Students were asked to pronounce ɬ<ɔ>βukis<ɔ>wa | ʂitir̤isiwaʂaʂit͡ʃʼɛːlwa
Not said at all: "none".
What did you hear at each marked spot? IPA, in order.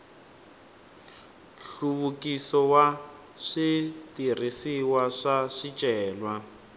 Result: u, ɔ

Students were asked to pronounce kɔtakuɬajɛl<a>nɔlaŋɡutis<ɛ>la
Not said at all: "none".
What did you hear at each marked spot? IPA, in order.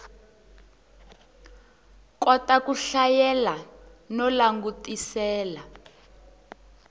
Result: a, ɛː

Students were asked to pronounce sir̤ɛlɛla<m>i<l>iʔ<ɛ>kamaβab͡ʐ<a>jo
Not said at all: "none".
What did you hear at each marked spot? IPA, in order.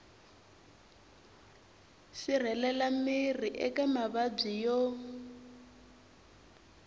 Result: m, r, ɛ, i

